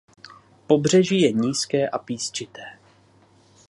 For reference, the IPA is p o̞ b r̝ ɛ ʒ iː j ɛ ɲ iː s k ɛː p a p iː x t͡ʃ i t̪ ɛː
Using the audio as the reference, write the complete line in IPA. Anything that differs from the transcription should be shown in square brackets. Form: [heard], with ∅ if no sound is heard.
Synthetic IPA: p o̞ b r̝ ɛ ʒ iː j ɛ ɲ iː s k ɛː [ʔ] a p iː [s] t͡ʃ [ɪ] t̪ ɛː